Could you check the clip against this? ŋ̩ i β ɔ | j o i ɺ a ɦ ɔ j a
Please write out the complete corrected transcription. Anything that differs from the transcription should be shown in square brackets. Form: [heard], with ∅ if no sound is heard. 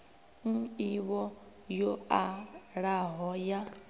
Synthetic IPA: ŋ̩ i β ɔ | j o [a] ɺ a ɦ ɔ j a